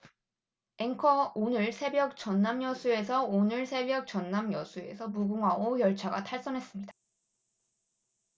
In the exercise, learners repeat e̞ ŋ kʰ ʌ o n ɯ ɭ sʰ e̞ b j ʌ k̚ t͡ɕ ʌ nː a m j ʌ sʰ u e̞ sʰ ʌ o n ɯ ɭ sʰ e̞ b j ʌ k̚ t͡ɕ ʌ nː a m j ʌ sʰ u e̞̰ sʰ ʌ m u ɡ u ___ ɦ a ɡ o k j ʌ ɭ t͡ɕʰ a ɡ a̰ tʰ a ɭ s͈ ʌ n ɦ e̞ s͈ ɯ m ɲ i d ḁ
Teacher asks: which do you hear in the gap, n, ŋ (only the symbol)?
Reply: ŋ